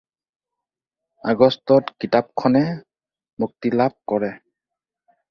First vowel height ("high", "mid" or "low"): low